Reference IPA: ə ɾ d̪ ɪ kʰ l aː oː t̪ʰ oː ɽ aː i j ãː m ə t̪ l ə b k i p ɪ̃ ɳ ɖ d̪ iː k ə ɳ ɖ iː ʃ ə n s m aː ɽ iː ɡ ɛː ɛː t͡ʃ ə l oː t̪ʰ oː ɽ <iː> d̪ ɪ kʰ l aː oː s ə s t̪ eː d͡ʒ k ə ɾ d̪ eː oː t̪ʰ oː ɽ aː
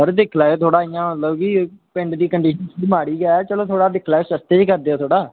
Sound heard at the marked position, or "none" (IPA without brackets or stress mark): aː